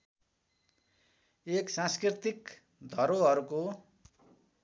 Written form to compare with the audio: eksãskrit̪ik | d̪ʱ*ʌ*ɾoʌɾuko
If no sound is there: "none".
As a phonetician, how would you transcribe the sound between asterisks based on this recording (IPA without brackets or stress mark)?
ʌ